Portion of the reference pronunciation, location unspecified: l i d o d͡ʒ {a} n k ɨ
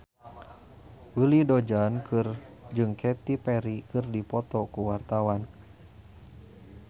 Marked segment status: correct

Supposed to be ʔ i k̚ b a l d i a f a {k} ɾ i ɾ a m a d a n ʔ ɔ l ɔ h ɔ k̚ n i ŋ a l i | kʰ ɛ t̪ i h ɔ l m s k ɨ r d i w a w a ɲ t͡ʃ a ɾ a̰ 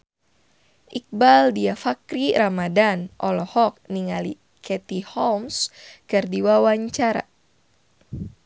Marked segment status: correct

